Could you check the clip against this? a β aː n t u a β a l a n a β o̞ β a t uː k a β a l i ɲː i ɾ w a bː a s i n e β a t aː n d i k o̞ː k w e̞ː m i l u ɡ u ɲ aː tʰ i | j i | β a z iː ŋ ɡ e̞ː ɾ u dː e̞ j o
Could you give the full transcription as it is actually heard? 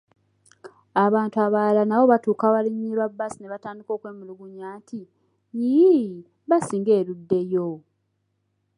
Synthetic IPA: a β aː n t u a β a l a n a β o̞ β a t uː k a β a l i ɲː i ɾ w a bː a s i n e β a t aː n d i k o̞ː k w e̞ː m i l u ɡ u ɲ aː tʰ i | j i | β a s iː ŋ ɡ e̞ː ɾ u dː e̞ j o